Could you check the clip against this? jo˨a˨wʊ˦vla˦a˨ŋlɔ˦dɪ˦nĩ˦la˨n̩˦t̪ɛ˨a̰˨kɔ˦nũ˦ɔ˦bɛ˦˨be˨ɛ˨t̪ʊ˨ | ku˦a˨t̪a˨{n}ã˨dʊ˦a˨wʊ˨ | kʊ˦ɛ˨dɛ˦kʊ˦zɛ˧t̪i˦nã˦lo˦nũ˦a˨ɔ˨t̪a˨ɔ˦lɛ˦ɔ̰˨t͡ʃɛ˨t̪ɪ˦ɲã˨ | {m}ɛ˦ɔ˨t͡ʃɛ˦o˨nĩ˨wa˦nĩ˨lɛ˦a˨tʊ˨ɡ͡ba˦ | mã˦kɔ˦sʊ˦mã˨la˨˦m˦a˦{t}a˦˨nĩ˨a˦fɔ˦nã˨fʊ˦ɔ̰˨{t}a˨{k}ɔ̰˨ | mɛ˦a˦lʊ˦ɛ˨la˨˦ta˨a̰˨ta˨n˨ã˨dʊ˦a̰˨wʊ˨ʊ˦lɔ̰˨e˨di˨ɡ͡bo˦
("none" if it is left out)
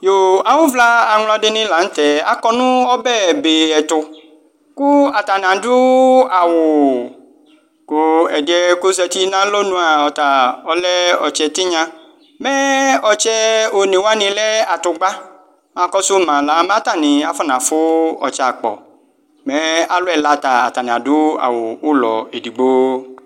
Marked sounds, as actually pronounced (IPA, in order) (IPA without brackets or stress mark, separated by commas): n, m, t, t͡ʃ, k͡p